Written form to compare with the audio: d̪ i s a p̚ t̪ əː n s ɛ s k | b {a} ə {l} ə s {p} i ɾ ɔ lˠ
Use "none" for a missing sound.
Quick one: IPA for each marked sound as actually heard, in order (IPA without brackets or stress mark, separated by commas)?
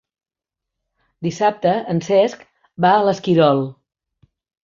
a, l, k